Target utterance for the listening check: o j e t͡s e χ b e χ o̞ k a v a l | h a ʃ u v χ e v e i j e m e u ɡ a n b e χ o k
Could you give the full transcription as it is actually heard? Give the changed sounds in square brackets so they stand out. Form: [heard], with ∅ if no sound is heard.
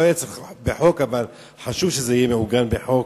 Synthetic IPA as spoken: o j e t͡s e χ b e [ħ] o̞ k a v a l | [ħ] a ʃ u v [ʃ] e [z] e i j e m e u ɡ a n b e [ħ] o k